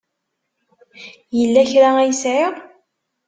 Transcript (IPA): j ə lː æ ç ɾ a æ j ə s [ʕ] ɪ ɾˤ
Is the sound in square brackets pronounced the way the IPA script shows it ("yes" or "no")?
yes